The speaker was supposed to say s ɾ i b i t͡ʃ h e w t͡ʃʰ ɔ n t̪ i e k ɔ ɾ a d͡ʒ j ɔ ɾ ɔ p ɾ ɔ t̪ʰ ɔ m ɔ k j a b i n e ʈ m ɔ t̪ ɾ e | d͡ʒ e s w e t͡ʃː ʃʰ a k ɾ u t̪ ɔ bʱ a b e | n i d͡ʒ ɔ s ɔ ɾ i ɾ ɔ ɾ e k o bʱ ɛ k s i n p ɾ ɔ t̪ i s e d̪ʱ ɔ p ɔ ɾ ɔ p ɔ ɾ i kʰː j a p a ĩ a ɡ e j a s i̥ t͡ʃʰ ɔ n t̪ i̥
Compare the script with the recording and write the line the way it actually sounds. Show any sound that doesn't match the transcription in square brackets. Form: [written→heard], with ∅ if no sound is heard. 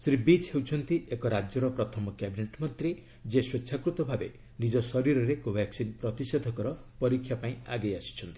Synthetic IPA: s ɾ i b i t͡ʃ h e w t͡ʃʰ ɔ n t̪ i e k ɔ ɾ a d͡ʒ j ɔ ɾ ɔ p ɾ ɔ t̪ʰ ɔ m ɔ k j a b i n e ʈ m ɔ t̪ ɾ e | d͡ʒ e s w e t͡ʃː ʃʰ a k ɾ u t̪ ɔ bʱ a b e | n i d͡ʒ ɔ s ɔ ɾ i ɾ ɔ ɾ e k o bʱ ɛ k s i n p ɾ ɔ t̪ i s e d̪ʱ ɔ [p→k] ɔ ɾ ɔ p ɔ ɾ i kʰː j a p a ĩ a ɡ e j a s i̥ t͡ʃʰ ɔ n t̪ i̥